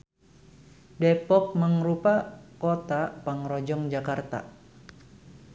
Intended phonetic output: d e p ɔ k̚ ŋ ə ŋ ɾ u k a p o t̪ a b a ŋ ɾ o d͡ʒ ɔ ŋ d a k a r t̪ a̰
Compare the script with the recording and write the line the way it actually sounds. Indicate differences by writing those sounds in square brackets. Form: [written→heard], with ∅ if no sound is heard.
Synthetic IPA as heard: d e p ɔ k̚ [ŋ→m] ə ŋ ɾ u [k→p] a [p→k] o t̪ a [b→p] a ŋ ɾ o d͡ʒ ɔ ŋ [d→d͡ʒ] a k a r t̪ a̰